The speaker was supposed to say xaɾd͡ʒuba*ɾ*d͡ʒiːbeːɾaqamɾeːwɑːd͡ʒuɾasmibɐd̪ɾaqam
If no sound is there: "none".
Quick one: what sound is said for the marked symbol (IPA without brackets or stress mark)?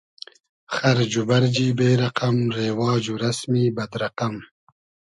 ɾ